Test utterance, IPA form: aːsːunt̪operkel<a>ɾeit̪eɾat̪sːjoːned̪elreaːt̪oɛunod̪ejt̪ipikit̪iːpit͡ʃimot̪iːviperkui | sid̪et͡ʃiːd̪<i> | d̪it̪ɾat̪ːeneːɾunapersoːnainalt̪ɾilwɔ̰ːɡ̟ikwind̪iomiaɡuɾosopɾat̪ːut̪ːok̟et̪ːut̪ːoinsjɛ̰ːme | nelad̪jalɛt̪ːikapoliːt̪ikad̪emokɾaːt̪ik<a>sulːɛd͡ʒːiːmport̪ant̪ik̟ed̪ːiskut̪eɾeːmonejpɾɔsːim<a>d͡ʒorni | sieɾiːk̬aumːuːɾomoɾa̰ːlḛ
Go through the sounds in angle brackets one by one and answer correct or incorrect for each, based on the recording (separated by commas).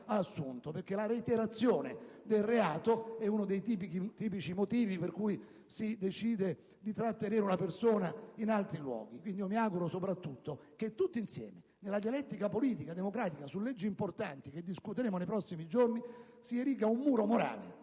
correct, incorrect, correct, incorrect